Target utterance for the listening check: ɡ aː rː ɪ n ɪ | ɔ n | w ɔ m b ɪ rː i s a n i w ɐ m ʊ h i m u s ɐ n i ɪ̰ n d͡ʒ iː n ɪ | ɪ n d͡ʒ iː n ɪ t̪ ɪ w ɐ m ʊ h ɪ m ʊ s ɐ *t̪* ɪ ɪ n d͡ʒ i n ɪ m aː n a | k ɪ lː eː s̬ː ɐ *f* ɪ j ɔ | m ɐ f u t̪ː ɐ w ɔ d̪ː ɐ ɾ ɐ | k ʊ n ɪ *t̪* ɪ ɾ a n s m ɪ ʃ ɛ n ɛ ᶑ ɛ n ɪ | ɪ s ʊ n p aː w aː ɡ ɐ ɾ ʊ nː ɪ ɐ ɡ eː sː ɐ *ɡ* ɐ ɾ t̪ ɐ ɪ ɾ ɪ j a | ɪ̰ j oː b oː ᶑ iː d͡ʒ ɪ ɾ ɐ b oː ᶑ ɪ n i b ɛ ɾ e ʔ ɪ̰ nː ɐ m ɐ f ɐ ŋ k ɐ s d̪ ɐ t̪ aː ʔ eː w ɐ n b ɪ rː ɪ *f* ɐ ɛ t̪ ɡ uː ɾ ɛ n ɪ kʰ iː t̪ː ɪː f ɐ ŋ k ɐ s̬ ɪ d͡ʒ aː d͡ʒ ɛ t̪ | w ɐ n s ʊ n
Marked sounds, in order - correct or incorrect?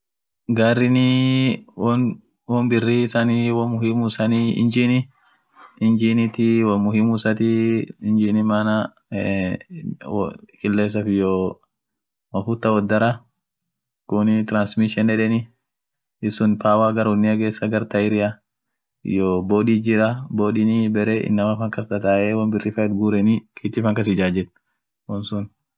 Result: correct, correct, correct, correct, correct

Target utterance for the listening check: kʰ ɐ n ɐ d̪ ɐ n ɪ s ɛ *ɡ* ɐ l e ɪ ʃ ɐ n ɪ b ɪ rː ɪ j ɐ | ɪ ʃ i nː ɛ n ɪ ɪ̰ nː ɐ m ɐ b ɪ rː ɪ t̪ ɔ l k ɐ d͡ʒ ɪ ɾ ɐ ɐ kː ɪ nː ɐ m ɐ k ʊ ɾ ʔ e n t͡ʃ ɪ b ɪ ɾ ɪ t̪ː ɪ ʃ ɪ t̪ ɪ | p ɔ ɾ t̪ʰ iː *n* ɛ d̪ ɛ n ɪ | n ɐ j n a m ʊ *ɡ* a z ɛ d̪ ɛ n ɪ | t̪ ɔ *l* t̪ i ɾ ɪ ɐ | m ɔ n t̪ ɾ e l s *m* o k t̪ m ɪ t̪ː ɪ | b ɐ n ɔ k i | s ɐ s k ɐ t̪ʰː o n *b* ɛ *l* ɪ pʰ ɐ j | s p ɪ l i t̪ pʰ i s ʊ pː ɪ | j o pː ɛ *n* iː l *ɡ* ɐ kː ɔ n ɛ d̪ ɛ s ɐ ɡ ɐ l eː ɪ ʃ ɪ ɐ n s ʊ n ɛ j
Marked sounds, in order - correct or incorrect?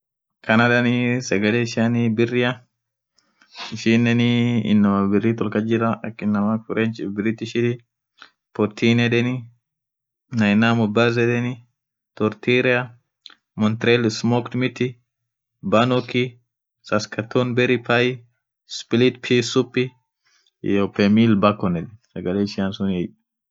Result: correct, correct, incorrect: b, incorrect: ɾ, correct, correct, incorrect: ɾ, incorrect: m, incorrect: b

